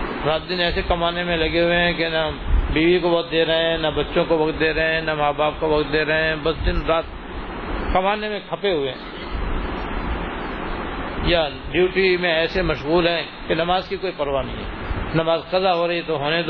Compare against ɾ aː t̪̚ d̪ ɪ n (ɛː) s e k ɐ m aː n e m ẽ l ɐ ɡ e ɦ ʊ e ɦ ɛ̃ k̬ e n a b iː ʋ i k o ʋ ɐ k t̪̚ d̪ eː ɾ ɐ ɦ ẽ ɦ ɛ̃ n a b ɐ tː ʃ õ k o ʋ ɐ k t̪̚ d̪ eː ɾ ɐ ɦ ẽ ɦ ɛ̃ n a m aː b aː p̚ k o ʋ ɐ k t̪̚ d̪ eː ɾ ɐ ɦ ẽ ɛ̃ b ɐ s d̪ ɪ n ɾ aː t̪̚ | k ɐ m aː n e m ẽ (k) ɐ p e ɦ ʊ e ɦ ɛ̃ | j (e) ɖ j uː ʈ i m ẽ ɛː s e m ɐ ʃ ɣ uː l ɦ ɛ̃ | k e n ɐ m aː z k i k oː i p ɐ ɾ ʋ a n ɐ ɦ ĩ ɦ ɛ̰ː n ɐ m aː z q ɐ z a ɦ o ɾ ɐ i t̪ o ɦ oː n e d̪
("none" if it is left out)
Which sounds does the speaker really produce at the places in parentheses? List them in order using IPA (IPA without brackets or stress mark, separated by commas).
ɛː, kʰ, a